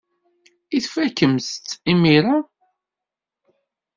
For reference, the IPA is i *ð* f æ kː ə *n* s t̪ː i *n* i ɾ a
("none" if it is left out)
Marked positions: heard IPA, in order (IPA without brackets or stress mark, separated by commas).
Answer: θ, m, m